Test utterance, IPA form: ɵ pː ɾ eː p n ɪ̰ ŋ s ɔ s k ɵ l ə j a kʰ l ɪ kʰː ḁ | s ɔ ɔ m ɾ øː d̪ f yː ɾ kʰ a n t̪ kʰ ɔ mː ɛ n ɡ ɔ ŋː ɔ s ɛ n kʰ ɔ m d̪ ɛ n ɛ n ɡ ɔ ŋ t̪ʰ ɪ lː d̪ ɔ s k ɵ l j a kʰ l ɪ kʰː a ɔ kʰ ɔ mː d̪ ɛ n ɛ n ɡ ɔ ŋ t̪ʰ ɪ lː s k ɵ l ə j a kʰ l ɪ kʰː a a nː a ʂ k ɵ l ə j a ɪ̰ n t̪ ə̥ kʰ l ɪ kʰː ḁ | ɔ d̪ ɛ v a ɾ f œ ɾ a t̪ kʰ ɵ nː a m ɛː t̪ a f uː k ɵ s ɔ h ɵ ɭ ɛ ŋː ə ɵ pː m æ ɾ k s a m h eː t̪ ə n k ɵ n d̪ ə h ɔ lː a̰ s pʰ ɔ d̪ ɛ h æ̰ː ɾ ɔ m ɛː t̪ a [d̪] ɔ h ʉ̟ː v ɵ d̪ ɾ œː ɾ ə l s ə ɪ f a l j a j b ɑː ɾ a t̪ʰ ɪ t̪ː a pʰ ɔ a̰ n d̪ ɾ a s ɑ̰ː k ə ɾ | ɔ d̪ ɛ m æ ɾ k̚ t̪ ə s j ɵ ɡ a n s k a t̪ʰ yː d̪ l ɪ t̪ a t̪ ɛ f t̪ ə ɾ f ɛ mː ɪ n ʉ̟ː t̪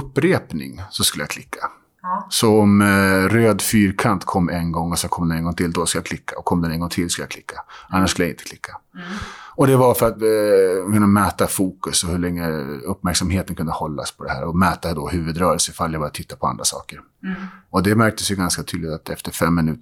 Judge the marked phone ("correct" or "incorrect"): correct